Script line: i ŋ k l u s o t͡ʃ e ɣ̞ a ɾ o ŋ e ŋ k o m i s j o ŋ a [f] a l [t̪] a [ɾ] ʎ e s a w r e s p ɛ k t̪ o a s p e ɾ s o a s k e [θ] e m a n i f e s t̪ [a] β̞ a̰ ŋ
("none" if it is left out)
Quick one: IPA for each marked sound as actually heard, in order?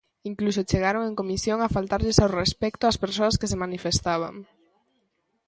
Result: f, t̪, ɾ, s, a

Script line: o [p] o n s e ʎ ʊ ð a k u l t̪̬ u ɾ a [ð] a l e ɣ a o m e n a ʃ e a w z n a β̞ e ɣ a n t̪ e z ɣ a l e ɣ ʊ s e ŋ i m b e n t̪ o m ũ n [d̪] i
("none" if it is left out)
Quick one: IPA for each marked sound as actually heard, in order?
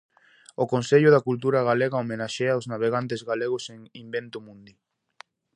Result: k, ɣ, d̪

